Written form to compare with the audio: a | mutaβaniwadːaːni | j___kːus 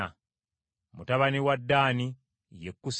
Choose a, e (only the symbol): e